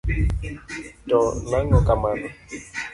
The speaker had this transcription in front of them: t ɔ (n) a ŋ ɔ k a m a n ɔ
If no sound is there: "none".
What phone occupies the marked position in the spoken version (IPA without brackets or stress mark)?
n